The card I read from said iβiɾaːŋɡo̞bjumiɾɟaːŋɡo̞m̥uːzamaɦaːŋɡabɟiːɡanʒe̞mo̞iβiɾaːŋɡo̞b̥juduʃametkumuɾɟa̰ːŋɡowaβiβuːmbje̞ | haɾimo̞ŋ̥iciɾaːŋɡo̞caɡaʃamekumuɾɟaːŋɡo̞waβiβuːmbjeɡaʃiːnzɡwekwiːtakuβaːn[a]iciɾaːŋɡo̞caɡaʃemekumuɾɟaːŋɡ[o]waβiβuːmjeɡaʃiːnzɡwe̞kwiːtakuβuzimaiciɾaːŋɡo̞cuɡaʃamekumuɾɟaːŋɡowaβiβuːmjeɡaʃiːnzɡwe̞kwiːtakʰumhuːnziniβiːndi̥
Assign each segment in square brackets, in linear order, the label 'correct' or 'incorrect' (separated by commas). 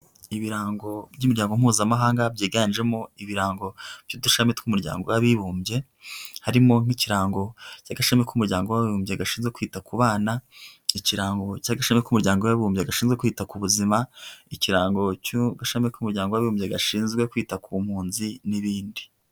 correct, correct